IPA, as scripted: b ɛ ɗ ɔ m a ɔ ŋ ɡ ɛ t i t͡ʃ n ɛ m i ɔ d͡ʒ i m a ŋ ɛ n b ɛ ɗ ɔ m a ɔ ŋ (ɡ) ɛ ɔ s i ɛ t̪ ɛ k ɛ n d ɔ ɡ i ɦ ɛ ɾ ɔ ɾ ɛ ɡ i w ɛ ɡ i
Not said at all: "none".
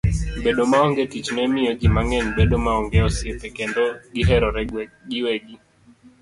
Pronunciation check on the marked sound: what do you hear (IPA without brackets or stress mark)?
ɡ